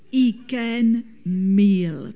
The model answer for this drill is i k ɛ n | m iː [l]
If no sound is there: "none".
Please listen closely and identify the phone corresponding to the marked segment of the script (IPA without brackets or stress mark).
l